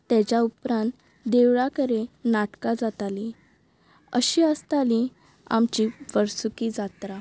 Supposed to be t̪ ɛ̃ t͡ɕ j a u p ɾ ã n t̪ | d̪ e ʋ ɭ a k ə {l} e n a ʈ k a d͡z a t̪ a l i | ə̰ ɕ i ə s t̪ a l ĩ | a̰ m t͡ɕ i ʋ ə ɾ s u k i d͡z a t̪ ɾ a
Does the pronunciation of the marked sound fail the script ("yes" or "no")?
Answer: yes